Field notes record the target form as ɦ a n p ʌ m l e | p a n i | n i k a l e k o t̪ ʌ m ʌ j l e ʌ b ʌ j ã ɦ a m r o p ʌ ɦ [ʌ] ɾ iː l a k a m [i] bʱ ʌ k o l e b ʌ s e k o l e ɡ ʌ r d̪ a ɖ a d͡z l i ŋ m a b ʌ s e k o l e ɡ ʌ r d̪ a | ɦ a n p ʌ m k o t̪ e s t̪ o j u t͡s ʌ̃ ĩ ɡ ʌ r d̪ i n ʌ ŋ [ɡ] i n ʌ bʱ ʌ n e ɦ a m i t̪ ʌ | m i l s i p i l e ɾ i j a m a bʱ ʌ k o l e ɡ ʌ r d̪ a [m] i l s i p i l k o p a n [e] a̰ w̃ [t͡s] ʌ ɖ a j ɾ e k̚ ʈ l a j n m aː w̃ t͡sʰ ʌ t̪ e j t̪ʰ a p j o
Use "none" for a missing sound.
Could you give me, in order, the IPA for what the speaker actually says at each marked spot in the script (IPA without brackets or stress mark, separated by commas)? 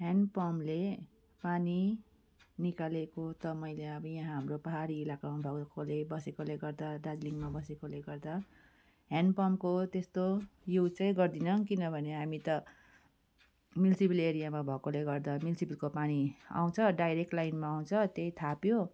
a, a, k, m, i, t͡sʰ